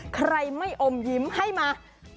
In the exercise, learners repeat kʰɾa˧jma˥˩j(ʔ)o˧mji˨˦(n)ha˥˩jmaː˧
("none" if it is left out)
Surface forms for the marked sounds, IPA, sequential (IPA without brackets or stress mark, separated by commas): ʔ, m